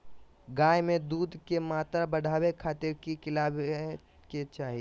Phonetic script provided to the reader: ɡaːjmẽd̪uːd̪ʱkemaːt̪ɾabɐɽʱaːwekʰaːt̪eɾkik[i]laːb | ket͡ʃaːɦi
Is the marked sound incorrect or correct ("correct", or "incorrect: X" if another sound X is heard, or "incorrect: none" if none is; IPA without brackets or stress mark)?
incorrect: ɪ